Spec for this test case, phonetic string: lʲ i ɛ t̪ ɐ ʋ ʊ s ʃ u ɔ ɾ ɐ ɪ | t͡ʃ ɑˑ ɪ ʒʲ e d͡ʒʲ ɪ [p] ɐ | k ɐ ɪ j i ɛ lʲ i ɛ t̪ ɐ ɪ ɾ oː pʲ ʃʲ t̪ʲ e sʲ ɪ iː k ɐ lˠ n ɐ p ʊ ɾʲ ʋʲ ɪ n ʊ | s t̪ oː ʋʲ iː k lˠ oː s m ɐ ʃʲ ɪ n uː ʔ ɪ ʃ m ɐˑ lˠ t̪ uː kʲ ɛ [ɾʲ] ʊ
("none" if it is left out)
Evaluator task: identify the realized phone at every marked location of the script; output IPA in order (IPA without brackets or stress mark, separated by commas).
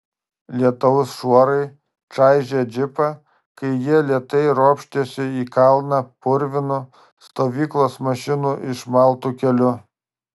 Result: p, lʲ